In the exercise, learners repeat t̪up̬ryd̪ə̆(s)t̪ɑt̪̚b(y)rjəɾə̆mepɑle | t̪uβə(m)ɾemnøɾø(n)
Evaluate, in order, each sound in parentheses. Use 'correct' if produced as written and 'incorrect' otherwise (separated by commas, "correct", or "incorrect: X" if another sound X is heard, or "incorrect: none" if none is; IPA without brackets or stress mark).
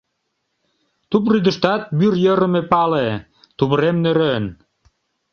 incorrect: ʃ, correct, incorrect: none, correct